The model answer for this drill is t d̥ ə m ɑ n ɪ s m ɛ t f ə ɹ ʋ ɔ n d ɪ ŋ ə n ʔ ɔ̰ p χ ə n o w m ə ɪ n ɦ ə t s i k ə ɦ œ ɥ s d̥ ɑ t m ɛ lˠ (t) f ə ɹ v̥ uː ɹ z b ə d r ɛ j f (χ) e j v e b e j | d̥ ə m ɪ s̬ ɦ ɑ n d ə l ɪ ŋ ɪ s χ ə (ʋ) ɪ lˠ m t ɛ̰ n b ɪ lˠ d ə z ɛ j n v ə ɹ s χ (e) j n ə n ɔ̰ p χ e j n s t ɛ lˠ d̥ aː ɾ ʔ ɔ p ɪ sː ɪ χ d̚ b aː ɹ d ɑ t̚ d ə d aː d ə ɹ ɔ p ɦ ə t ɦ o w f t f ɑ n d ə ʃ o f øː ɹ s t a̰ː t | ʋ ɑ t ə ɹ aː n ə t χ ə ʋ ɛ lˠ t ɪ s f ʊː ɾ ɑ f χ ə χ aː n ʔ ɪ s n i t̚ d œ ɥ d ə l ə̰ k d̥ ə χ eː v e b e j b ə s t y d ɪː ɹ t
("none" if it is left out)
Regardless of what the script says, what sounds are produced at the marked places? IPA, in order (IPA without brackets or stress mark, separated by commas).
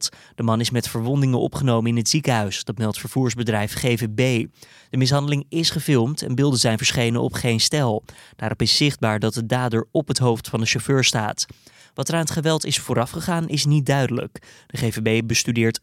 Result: t, χ, v, e